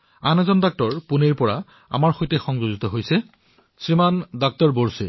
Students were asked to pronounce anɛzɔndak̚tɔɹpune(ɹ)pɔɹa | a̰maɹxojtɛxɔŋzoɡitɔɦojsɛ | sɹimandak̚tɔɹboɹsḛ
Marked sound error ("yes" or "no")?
no